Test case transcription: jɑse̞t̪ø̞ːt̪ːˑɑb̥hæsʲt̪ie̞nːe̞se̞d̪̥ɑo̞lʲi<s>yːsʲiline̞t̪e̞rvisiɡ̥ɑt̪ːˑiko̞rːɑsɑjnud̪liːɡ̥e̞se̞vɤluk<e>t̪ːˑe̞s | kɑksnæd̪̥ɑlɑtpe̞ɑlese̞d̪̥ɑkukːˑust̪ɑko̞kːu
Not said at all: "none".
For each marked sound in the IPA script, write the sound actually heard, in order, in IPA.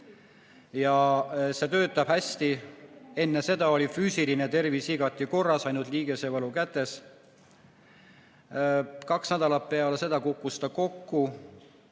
f, æ

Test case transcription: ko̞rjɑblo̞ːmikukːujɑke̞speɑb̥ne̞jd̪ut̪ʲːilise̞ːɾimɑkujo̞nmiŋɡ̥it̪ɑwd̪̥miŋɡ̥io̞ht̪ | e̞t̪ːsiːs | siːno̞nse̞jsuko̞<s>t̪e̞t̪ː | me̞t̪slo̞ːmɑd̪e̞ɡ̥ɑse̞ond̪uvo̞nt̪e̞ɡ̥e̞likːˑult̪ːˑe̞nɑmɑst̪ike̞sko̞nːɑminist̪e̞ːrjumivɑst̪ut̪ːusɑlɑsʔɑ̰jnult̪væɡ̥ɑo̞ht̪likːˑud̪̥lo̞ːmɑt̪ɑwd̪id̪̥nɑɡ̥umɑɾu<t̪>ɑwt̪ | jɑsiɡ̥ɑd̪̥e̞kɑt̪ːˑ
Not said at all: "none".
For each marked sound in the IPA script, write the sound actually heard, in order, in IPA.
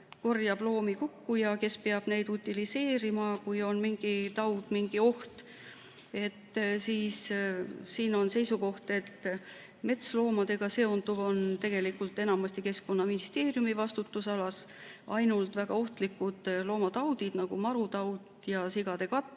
h, t̪

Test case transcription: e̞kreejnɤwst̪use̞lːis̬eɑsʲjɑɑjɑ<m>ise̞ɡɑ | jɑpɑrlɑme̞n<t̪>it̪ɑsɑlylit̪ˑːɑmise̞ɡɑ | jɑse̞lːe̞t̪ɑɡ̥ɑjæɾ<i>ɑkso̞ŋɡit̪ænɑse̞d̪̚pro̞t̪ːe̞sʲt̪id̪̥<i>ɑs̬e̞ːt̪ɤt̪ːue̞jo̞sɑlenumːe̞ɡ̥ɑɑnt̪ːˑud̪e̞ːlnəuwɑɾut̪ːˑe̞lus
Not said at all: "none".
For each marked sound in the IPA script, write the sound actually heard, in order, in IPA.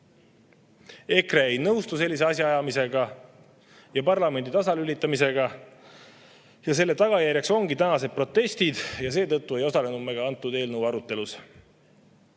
m, d̪, j, j

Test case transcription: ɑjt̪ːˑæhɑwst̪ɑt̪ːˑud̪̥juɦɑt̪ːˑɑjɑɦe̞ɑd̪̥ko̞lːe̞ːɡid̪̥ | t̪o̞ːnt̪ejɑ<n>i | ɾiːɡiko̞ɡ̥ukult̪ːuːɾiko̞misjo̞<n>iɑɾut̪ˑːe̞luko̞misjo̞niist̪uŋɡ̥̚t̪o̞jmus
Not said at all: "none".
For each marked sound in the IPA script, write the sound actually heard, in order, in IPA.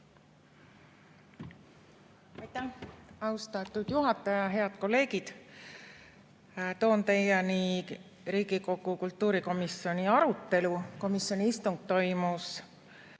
n, n

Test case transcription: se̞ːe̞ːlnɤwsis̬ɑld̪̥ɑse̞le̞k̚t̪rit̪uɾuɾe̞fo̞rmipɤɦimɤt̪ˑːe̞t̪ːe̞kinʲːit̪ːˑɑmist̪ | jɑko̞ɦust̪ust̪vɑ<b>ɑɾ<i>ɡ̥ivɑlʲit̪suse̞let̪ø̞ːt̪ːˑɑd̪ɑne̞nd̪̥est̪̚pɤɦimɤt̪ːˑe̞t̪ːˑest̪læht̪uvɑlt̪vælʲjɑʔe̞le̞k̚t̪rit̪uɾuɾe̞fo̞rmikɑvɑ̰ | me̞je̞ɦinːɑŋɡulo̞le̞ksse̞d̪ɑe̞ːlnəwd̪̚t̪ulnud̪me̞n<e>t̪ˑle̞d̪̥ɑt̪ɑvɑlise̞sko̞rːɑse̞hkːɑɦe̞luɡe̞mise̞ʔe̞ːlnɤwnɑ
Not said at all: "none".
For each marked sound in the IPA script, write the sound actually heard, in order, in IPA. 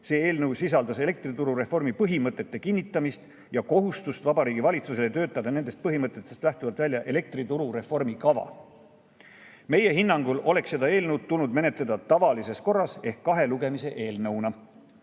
b, iː, e

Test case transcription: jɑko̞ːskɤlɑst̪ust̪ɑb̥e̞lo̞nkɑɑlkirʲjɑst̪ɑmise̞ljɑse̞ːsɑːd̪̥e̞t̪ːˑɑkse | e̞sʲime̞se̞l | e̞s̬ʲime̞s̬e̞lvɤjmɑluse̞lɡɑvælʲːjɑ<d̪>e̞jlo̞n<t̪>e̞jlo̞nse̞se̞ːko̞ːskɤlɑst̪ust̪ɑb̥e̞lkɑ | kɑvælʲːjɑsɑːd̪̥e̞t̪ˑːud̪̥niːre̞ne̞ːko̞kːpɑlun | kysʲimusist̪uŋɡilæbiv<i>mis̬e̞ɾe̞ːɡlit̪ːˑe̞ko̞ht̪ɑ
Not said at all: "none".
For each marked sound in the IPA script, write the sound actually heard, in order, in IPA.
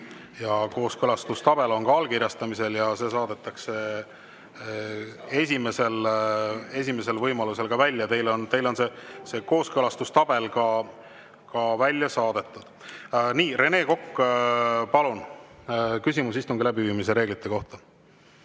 t̪, t̪, iː

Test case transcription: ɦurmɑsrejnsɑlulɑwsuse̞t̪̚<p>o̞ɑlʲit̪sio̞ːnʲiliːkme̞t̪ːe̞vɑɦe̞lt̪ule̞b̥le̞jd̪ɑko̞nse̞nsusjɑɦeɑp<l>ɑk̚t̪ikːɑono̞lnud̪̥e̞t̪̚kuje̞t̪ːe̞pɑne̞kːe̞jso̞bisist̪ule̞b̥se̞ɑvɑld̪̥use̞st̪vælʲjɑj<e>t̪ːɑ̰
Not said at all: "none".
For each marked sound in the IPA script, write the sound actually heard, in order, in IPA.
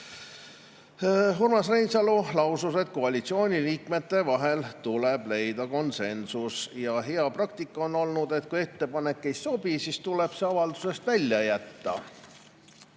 k, r, æ

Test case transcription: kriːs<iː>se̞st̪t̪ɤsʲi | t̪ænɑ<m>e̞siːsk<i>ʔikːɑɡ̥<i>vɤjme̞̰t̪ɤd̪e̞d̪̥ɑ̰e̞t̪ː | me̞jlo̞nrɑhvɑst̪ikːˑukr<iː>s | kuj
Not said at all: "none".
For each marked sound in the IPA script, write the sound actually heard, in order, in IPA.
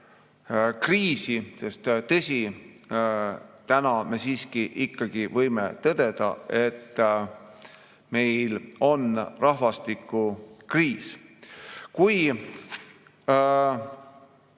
i, m, i, i, iː

